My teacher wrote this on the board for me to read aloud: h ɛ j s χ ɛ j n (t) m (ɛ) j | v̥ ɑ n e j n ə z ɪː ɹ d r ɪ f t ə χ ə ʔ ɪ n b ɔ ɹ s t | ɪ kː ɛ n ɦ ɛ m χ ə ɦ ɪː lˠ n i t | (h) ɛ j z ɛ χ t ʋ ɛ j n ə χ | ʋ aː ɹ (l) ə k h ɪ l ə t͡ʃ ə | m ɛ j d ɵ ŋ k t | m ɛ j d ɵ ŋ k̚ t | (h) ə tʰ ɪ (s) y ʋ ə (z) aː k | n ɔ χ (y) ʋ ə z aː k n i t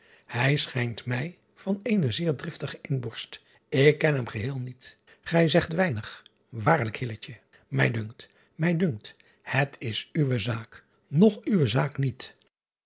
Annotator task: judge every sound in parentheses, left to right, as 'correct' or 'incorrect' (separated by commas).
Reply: correct, correct, incorrect, correct, correct, correct, correct, correct